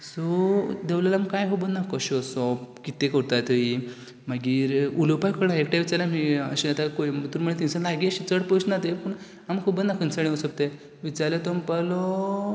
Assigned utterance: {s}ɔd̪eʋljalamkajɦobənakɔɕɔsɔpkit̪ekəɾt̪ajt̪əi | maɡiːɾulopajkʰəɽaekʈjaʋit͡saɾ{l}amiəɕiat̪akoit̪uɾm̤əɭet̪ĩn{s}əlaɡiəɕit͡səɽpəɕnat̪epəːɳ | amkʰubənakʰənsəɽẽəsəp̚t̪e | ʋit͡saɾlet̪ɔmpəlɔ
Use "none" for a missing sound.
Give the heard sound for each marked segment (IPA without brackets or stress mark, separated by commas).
s, l, s